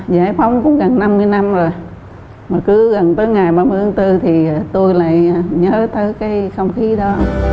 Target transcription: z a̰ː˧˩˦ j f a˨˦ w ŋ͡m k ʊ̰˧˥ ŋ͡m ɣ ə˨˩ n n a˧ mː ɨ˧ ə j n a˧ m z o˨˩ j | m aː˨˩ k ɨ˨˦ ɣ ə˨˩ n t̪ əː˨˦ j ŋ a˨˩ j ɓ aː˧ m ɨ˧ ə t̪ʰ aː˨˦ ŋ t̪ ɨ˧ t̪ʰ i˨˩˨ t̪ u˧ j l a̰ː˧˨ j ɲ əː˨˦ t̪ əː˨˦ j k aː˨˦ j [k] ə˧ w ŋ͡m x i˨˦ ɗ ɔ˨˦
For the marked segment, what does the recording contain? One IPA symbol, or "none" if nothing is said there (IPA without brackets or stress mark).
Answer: x